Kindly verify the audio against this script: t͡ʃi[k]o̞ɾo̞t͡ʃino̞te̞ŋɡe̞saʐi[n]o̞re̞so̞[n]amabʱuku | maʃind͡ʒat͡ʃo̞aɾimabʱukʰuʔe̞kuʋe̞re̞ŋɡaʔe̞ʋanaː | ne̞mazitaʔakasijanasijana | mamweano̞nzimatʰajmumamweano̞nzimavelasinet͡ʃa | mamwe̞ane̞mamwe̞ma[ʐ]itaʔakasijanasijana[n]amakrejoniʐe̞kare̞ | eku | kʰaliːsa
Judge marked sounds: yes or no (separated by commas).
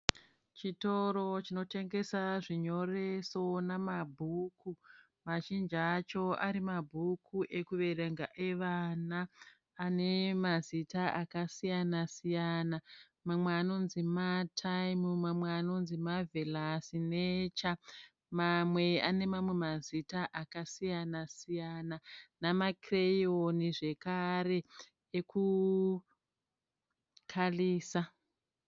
no, no, yes, no, yes